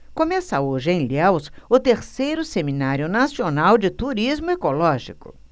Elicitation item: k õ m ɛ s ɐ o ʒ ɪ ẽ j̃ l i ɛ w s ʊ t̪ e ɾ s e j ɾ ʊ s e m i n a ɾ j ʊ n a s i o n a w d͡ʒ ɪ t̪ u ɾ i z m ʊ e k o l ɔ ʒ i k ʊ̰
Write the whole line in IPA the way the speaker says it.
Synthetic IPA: k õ m ɛ s ɐ o ʒ ɪ ẽ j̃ l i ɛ w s ʊ t̪ e ɾ s e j ɾ ʊ s e m i n a ɾ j ʊ n a s i o n a w d͡ʒ ɪ t̪ u ɾ i z m ʊ e k o l ɔ ʒ i k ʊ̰